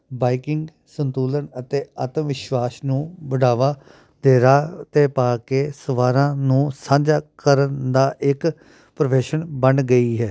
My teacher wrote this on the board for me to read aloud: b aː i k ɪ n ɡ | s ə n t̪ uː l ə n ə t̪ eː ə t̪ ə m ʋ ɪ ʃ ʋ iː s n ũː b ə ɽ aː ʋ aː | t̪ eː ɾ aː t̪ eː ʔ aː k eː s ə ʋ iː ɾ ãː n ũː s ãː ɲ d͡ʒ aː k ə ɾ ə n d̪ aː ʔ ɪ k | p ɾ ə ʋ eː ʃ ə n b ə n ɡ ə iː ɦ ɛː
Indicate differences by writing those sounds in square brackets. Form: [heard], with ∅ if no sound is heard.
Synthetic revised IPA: b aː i k ɪ [ŋ] ɡ | s ə n t̪ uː l ə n ə t̪ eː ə t̪ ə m ʋ ɪ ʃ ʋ [aː] s n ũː b ə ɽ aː ʋ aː | [d̪] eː ɾ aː t̪ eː [p] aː k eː s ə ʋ [aː] ɾ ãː n ũː s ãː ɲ d͡ʒ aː k ə ɾ ə n d̪ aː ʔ ɪ k | p ɾ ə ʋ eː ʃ ə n b ə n ɡ ə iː ɦ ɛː